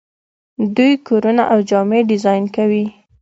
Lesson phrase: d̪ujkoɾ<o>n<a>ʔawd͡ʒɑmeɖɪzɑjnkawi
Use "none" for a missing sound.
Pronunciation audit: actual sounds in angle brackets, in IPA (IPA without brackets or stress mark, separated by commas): u, a